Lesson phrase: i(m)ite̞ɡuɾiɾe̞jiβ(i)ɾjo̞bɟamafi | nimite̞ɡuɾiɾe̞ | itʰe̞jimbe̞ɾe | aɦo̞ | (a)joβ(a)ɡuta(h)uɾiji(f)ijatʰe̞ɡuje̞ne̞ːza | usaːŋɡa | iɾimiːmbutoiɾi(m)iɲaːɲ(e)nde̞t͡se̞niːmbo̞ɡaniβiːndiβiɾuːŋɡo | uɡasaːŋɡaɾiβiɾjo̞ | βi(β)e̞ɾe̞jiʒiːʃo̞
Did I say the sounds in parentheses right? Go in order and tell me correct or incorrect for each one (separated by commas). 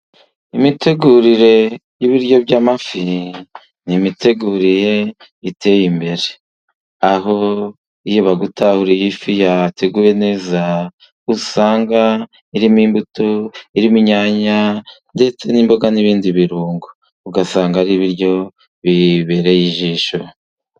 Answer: correct, correct, incorrect, correct, correct, correct, correct, incorrect, correct